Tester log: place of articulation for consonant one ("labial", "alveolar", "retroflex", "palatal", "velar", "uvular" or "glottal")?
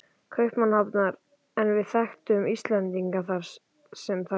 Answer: velar